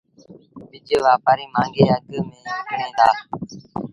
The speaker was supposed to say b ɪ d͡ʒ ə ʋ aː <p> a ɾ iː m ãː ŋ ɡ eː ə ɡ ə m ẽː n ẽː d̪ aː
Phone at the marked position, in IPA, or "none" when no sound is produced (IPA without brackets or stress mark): p